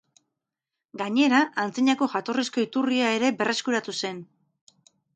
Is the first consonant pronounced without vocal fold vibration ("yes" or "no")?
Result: no